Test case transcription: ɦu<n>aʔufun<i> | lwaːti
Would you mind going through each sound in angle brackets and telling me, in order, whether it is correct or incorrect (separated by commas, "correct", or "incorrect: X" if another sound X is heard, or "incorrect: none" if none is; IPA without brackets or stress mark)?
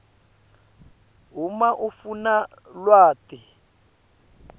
incorrect: m, incorrect: a